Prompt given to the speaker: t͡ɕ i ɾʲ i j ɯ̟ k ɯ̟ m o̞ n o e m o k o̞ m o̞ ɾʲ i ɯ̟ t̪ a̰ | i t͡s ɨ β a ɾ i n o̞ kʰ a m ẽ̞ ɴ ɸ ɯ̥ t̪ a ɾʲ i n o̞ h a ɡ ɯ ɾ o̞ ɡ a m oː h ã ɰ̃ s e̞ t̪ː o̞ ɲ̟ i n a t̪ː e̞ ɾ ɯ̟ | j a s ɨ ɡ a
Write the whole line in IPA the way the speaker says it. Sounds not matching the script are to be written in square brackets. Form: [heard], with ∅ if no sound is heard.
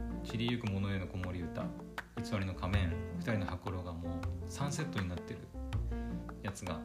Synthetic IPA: t͡ɕ i ɾʲ i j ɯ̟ k ɯ̟ m o̞ n o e [n] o k o̞ m o̞ ɾʲ i ɯ̟ t̪ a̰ | i t͡s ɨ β a ɾ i n o̞ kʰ a m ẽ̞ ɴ ɸ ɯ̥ t̪ a ɾʲ i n o̞ h a [k] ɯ ɾ o̞ ɡ a m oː [s] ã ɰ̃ s e̞ t̪ː o̞ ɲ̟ i n a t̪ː e̞ ɾ ɯ̟ | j a [t͡s] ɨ ɡ a